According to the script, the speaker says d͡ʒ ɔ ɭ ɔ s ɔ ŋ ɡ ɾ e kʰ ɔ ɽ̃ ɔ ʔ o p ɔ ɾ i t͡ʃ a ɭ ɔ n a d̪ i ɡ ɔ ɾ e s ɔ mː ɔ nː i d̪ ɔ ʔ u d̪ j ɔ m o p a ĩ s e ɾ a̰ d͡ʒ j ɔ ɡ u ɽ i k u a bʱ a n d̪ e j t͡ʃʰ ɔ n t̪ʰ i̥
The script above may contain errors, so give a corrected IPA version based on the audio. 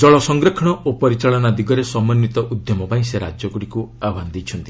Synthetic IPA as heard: d͡ʒ ɔ ɭ ɔ s ɔ ŋ ɡ ɾ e kʰ ɔ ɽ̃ ɔ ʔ o p ɔ ɾ i t͡ʃ a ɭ ɔ n a d̪ i ɡ ɔ ɾ e s ɔ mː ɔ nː i t̪ ɔ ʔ u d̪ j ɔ m ɔ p a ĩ s e ɾ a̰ d͡ʒ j ɔ ɡ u ɽ i k u a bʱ a n d̪ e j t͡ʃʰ ɔ n t̪ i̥